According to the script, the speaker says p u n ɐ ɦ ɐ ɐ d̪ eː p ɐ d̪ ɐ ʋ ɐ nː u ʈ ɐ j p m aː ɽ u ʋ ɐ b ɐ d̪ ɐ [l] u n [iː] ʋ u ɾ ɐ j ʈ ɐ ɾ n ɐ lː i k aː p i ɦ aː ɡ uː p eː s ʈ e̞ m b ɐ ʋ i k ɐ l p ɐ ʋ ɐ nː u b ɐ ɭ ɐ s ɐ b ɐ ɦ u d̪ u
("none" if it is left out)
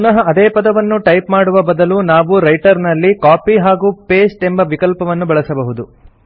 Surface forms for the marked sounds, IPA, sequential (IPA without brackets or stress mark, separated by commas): l, aː